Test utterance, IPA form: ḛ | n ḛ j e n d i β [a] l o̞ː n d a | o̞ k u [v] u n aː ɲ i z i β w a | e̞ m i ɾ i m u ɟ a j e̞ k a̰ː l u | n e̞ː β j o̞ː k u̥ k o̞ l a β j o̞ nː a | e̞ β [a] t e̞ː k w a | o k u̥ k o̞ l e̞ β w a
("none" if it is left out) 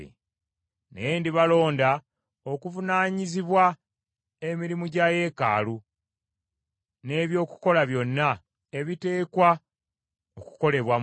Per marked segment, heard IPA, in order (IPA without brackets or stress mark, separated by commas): a, v, i